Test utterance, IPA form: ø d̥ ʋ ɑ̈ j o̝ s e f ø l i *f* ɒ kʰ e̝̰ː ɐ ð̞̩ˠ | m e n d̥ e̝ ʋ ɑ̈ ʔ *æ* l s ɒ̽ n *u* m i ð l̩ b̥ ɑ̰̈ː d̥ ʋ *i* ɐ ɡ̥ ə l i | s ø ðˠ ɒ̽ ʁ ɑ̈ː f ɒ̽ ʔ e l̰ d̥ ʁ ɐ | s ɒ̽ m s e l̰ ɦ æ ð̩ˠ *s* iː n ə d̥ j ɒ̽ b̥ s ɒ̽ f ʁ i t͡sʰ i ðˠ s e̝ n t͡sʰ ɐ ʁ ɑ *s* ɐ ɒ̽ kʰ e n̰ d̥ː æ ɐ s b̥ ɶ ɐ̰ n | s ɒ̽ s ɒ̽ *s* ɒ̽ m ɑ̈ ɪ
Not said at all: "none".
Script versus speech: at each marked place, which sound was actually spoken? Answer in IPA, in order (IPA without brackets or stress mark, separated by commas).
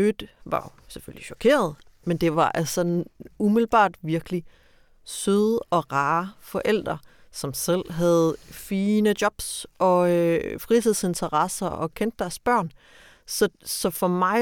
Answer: ɕ, æ, u, i, f, s, f